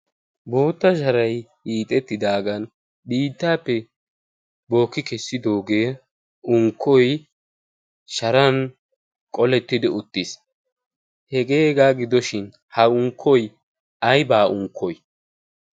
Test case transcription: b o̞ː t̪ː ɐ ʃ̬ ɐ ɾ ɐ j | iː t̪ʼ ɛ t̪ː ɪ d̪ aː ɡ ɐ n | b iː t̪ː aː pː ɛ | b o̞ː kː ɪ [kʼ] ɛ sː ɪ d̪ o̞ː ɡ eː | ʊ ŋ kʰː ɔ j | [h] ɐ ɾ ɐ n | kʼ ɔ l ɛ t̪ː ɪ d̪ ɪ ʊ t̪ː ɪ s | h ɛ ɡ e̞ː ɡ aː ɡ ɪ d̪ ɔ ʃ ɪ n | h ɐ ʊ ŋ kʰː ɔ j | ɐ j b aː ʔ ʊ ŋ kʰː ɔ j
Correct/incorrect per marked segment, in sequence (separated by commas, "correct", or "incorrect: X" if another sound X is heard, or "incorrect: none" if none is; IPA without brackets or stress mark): incorrect: k, incorrect: ʃ